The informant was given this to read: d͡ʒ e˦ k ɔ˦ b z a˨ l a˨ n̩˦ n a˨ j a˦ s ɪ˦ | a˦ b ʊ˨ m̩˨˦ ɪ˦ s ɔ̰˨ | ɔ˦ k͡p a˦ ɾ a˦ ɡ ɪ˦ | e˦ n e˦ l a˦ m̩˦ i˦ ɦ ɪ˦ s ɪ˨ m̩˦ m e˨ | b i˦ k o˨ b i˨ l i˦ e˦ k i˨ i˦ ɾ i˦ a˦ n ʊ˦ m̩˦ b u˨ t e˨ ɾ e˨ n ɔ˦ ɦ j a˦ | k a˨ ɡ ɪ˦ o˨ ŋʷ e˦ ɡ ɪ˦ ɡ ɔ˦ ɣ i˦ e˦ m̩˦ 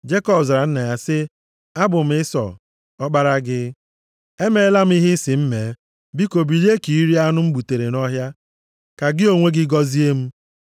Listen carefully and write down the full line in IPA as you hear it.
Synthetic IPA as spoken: d͡ʒ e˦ k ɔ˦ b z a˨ ɾ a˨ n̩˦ n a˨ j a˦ s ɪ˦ | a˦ b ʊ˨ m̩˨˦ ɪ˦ s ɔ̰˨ | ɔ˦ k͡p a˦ ɾ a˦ ɡ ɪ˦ | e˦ m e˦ l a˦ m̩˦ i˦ ɦ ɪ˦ s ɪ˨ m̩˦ m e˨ | b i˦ k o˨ b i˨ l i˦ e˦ k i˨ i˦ ɾ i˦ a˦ n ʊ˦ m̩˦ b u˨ t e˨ ɾ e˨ n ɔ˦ ɦ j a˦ | k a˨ ɡ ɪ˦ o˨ ŋʷ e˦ ɡ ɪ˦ ɡ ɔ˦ z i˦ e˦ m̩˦